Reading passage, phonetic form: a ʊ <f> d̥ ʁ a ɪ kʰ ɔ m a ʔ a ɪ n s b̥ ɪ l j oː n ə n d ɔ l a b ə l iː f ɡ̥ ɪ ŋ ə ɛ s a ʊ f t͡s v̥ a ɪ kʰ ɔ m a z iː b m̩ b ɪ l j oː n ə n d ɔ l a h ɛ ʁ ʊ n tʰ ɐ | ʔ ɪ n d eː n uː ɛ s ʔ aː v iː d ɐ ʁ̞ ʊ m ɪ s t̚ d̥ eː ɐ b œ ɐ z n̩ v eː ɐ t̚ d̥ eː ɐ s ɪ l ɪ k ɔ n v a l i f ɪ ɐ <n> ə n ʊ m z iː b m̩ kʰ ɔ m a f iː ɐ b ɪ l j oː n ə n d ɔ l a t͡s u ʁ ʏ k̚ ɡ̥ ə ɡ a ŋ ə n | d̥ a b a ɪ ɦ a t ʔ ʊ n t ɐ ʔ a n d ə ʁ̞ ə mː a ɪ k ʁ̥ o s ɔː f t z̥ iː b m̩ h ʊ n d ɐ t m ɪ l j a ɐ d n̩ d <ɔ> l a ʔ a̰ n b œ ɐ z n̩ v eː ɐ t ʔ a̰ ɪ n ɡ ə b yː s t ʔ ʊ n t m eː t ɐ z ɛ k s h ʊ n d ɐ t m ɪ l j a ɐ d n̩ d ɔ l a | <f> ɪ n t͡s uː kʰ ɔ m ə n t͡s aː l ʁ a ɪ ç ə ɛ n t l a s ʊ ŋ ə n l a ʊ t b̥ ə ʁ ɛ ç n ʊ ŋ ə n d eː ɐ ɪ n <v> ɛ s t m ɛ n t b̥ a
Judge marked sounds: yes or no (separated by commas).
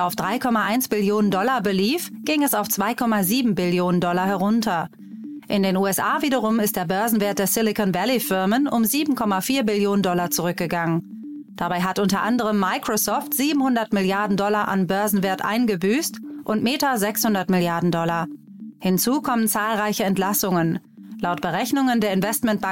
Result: yes, no, yes, no, yes